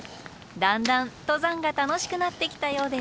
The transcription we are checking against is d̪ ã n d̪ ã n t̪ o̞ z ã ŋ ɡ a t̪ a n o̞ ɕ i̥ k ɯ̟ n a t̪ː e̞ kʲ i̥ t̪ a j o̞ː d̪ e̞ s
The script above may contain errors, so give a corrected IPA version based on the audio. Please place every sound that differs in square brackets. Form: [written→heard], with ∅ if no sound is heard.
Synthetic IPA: d̪ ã n d̪ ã n t̪ o̞ z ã ŋ ɡ a t̪ a n o̞ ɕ i̥ k ɯ̟ n a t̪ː e̞ kʲ i̥ t̪ a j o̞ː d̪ e̞ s